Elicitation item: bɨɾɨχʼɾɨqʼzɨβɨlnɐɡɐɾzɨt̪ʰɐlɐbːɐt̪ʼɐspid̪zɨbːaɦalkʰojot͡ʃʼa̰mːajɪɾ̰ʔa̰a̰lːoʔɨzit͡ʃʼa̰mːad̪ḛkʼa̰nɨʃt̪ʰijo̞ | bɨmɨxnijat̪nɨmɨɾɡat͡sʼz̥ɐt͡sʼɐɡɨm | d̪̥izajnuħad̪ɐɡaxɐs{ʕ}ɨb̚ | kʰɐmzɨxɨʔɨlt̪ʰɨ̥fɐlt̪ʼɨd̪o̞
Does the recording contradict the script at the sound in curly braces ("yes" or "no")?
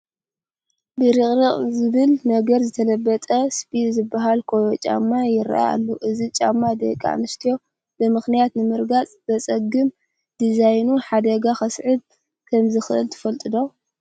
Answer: no